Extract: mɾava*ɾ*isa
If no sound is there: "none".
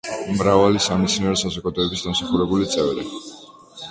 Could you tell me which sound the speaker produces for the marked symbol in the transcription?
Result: l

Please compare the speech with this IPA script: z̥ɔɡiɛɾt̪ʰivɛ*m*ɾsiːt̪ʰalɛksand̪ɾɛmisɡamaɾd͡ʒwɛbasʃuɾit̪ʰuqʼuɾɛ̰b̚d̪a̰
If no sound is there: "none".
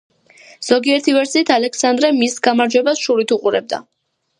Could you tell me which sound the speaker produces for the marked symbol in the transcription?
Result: none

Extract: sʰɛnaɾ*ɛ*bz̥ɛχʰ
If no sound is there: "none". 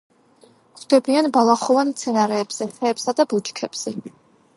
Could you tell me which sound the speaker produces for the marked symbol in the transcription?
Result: ɛː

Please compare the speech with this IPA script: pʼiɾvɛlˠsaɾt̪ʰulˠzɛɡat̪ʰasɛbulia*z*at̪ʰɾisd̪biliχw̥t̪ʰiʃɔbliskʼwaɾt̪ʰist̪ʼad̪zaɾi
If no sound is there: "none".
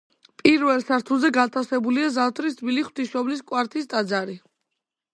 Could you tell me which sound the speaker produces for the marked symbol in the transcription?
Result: z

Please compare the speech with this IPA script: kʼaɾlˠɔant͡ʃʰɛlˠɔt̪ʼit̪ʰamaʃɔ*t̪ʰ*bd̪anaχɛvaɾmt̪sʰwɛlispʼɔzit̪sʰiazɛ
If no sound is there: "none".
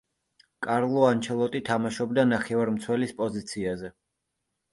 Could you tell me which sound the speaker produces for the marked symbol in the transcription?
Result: none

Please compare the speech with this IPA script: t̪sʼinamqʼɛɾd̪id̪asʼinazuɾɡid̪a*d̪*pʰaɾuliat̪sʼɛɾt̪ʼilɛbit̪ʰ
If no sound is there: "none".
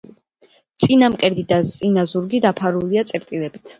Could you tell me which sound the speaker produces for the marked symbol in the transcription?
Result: none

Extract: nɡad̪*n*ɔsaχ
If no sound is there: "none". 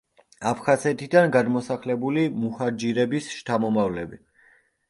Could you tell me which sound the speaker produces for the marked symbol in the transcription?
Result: m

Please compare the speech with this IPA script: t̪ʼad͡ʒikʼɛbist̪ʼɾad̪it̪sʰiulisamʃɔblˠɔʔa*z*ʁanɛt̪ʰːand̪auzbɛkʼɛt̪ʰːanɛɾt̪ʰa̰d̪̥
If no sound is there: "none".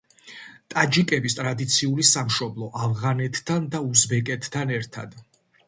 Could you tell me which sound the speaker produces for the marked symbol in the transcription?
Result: v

